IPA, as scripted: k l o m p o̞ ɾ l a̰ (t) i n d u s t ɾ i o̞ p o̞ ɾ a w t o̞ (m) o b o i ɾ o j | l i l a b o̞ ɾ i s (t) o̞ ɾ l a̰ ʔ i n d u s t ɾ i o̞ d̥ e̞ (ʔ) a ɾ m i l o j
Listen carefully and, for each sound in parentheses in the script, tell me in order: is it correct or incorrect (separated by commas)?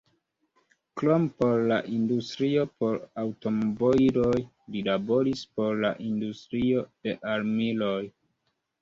incorrect, correct, incorrect, correct